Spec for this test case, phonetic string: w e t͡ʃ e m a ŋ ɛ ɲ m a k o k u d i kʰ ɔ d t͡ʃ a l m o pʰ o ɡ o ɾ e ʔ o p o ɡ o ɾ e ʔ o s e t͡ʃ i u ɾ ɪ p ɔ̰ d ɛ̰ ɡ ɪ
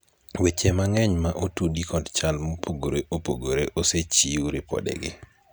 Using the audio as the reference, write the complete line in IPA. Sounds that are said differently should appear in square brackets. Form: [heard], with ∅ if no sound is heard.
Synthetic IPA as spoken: w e t͡ʃ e m a ŋ ɛ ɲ m a [ʔ] o [t] u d i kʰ ɔ d t͡ʃ a l m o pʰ o ɡ o ɾ e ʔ o p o ɡ o ɾ e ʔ o s e t͡ʃ i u ɾ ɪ p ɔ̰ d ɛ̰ ɡ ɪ

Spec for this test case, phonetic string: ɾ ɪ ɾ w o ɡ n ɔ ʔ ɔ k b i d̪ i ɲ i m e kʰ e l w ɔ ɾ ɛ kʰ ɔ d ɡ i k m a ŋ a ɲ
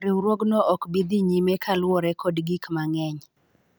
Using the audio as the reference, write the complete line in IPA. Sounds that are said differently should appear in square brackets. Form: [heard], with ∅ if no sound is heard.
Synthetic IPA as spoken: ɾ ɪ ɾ w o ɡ n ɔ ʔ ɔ k b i d̪ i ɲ i m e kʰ [a] l w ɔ ɾ ɛ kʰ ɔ d ɡ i k m a ŋ [ɛ] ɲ

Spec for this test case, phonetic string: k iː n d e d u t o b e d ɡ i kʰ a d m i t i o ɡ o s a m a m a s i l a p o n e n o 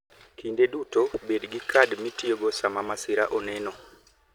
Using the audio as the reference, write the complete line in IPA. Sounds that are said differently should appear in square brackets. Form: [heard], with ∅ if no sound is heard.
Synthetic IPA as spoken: k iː n d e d u t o b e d ɡ i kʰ a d m i t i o ɡ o s a m a m a s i [ɾ] a [ʔ] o n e n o

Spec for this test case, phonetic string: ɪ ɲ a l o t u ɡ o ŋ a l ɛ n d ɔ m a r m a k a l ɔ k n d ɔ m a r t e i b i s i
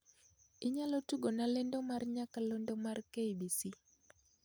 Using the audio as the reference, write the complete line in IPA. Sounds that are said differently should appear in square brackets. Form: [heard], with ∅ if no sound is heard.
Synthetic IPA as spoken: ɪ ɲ a l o t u ɡ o [n] a l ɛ n d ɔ m a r [ɲ] a k a l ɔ [∅] n d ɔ m a r [k] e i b i s i

